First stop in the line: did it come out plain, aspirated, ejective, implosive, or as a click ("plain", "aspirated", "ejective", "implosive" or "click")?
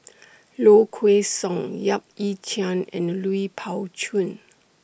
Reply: aspirated